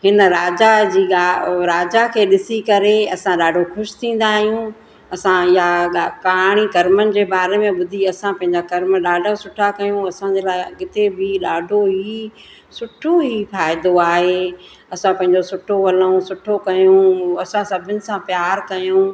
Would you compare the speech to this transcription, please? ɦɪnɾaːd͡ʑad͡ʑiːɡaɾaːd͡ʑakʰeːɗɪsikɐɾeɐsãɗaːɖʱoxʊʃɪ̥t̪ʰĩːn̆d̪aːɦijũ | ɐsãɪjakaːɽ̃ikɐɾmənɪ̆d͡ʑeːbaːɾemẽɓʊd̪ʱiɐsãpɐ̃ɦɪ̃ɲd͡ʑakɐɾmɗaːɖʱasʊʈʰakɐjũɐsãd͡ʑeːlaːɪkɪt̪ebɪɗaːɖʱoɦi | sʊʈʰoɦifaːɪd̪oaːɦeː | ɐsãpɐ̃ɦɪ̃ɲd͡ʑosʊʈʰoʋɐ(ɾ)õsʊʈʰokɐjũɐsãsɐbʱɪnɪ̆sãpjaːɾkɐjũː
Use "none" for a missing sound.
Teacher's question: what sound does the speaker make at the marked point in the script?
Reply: l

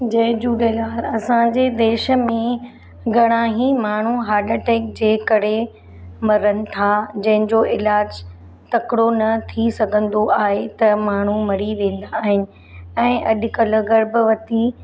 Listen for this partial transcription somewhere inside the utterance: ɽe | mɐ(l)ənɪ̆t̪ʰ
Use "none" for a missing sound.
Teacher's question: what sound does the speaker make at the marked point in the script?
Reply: ɾ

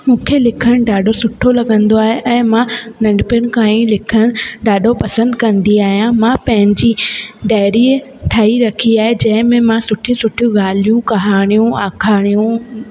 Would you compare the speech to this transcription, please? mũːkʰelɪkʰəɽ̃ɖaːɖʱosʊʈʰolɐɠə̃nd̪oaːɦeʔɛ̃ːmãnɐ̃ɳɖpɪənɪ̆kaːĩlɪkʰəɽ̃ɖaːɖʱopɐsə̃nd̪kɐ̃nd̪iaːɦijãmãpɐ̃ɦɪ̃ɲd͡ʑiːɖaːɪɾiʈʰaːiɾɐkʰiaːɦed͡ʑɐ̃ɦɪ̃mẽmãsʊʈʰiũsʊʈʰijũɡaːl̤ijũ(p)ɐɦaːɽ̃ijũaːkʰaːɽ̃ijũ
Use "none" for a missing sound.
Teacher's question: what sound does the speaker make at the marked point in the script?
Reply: k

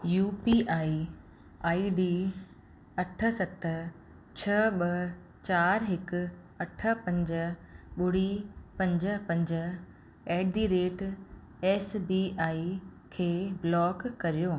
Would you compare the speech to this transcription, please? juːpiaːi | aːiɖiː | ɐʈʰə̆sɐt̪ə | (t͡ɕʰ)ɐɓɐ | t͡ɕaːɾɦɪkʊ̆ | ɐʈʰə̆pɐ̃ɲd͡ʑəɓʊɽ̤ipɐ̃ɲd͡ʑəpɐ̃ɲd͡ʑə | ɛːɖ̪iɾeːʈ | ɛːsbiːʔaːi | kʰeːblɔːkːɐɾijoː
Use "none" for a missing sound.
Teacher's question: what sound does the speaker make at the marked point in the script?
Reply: t͡ɕʰ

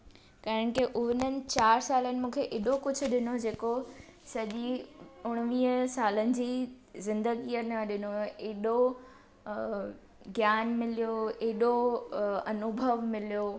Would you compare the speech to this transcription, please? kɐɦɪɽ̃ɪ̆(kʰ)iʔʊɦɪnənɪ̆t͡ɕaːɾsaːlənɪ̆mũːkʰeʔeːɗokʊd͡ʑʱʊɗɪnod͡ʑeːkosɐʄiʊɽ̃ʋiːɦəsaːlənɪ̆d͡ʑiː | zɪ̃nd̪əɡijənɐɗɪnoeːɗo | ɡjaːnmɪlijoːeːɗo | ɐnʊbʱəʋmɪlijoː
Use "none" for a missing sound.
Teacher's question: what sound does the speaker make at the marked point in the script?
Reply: k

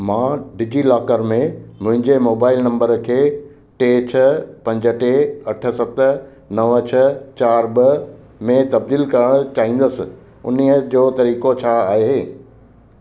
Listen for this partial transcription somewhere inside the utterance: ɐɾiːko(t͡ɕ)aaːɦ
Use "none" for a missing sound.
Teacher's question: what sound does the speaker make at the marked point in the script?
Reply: t͡ɕʰ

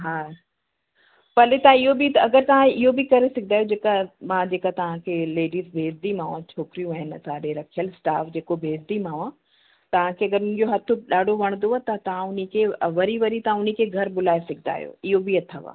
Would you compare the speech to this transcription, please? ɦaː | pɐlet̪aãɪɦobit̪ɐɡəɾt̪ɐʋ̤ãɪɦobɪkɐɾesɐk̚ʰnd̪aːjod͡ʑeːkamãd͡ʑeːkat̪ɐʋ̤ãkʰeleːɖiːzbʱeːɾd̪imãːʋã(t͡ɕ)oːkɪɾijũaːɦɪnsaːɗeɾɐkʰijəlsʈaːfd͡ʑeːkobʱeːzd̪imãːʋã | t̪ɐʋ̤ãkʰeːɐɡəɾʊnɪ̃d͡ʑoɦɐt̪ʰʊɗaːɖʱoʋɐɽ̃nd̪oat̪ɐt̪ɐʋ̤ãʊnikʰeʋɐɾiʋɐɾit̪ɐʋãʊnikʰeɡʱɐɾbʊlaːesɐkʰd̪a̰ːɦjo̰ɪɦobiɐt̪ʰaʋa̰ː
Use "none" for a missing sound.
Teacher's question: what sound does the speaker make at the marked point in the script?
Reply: t͡ɕʰ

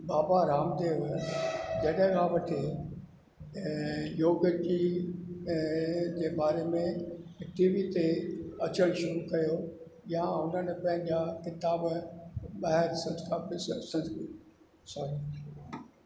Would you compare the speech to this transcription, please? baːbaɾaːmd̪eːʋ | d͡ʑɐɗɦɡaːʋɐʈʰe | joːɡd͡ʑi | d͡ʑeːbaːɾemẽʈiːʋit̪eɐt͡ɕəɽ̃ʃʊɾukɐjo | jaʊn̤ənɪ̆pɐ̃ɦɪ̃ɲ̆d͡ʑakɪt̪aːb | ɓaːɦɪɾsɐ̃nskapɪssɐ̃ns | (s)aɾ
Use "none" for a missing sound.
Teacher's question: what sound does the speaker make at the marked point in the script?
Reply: s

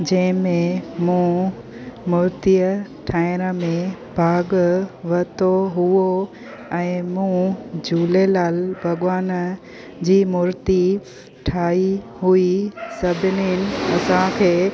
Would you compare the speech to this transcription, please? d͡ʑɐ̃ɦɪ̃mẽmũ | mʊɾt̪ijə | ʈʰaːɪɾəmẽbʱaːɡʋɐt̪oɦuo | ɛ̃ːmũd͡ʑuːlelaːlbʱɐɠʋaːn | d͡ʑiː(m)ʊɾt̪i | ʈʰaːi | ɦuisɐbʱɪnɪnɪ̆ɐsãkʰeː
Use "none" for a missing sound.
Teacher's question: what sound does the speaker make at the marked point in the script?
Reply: m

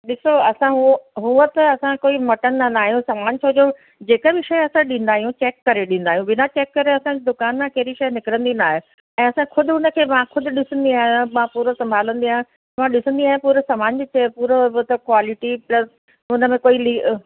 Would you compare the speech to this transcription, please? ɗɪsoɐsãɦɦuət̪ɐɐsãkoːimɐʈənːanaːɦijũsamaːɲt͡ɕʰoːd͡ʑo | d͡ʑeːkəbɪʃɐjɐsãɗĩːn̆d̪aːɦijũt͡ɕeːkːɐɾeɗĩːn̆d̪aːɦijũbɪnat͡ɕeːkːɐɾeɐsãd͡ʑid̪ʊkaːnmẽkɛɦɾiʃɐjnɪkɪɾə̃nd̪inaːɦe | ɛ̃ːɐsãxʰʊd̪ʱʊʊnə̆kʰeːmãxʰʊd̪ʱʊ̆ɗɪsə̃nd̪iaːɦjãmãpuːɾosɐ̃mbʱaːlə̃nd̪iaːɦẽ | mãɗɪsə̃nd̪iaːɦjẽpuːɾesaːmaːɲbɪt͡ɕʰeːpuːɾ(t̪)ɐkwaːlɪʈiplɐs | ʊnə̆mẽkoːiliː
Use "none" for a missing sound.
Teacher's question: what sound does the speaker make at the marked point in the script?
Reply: t̪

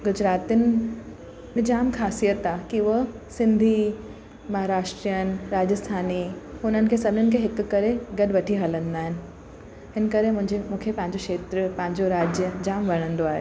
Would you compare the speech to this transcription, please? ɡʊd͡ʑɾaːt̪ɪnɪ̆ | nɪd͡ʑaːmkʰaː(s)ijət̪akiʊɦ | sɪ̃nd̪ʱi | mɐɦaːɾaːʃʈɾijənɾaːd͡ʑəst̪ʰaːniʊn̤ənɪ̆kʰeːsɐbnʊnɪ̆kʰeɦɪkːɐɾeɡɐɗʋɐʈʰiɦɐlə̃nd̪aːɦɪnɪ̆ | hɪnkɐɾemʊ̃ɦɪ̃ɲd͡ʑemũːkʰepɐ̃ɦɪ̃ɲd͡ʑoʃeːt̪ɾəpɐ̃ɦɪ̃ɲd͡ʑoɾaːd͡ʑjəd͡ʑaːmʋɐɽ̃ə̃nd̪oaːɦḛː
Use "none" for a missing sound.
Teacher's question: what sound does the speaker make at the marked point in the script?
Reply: s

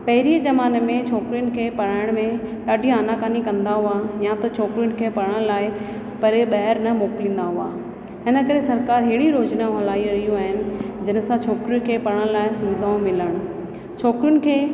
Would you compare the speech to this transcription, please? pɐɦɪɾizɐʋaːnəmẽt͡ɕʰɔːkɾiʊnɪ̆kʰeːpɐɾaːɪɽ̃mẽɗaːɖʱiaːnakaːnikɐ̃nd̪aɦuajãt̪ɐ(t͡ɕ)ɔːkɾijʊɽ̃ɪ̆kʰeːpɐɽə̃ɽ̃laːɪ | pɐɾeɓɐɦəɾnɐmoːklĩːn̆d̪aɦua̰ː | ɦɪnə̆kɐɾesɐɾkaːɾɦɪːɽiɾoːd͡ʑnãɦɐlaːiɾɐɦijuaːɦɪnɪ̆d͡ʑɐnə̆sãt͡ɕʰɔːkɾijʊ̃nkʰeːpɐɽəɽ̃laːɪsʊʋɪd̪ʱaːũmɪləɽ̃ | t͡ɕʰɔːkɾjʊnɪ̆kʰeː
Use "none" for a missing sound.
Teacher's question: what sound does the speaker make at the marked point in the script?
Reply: t͡ɕʰ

